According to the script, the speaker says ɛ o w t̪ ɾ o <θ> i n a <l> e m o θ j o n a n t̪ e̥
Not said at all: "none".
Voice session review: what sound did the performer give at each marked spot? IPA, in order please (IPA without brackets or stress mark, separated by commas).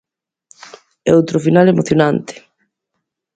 f, l